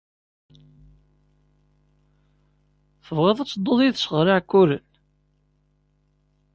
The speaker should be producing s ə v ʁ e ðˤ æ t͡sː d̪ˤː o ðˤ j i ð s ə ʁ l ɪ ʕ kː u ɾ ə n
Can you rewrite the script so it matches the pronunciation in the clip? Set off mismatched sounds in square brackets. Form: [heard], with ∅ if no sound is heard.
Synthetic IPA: [θ] ə v ʁ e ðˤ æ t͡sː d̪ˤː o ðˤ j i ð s ə ʁ [ɾ] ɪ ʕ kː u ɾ ə n